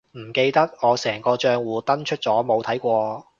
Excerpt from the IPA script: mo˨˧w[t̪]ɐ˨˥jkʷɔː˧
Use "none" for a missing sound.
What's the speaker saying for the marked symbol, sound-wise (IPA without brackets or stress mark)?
t̪ʰ